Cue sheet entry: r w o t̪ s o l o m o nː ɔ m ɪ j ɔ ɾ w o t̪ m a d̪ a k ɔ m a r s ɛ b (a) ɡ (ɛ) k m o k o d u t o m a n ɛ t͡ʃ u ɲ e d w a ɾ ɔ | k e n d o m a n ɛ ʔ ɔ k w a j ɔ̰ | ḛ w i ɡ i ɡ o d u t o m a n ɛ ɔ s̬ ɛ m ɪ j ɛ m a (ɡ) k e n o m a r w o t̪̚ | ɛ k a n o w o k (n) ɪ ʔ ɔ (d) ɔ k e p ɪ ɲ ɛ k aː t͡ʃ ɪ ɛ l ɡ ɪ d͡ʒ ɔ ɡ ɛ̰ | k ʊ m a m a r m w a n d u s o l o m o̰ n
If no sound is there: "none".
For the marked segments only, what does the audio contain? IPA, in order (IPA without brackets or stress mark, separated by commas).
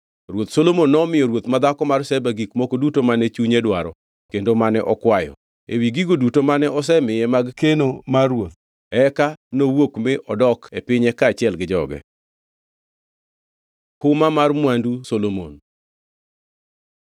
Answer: a, i, ɡ, m, d